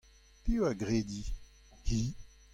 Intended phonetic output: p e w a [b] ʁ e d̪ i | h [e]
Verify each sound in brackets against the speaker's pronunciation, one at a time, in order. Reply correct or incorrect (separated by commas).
incorrect, incorrect